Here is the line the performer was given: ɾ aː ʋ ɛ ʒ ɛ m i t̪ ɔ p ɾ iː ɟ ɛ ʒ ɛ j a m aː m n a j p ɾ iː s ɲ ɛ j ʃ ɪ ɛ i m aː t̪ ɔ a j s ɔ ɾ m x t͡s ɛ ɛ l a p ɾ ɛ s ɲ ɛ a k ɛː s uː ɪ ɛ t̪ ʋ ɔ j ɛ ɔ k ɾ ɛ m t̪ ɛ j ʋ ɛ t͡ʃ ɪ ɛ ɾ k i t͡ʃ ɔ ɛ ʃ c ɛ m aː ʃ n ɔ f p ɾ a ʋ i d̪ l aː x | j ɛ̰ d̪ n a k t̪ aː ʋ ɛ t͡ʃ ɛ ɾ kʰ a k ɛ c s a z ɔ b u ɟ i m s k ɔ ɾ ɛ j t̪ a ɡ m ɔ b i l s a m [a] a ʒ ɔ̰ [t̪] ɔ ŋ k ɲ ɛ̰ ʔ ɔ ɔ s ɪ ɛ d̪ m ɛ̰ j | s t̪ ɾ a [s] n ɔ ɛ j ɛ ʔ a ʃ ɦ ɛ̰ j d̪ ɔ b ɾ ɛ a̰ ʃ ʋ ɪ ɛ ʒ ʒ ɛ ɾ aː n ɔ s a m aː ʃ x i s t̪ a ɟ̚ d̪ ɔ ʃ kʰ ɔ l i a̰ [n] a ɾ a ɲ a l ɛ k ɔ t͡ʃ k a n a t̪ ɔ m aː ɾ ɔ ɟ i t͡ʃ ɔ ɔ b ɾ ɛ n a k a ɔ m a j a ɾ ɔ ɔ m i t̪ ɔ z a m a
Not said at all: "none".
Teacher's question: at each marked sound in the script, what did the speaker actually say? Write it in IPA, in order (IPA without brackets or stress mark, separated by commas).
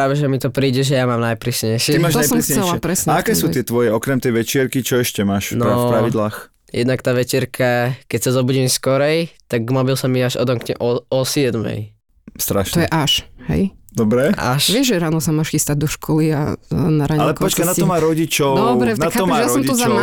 i, d̪, ʃ, n